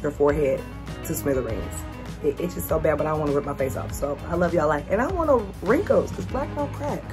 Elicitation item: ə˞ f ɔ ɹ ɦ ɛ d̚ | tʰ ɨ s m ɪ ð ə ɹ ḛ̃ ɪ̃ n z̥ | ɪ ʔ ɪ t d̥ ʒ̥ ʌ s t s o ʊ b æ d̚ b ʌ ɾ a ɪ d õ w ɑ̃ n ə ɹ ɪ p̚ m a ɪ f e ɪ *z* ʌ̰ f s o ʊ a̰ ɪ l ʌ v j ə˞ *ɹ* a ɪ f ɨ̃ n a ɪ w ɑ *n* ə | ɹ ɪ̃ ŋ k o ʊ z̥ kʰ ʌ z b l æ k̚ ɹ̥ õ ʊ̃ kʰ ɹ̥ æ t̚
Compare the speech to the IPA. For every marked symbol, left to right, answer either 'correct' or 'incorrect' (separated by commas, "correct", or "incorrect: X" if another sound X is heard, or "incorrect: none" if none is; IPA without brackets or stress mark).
incorrect: s, incorrect: l, correct